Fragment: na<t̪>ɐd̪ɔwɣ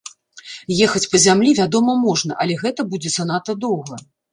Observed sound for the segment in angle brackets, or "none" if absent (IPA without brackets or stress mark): t̪